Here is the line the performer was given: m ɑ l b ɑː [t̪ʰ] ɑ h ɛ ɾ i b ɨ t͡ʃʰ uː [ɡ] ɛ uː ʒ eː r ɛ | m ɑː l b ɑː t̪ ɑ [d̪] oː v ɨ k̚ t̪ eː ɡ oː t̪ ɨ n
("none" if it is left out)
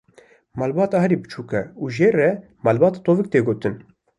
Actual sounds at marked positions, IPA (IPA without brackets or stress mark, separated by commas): t̪, k, t̪